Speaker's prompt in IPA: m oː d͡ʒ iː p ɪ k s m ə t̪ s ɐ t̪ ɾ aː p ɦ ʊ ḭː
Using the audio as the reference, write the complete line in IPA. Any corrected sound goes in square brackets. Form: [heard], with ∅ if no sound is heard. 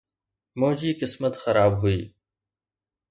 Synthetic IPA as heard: m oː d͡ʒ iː [k] ɪ [∅] s m ə t̪ [x] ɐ [∅] ɾ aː [b] ɦ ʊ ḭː